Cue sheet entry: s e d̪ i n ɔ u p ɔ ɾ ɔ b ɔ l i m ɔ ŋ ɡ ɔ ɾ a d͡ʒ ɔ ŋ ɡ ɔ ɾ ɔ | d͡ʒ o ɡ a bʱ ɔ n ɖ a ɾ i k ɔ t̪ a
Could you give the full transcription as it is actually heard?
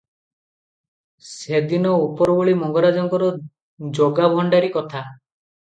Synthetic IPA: s e d̪ i n ɔ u p ɔ ɾ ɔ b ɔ ɭ i m ɔ ŋ ɡ ɔ ɾ a d͡ʒ ɔ ŋ k ɔ ɾ ɔ | d͡ʒ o ɡ a bʱ ɔ ɳ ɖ a ɾ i k ɔ t̪ʰ a